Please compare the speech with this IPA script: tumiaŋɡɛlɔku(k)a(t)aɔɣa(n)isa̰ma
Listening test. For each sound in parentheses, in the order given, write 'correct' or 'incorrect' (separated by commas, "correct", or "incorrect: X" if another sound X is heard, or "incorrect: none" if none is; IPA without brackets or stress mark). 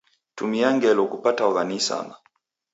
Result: incorrect: p, correct, correct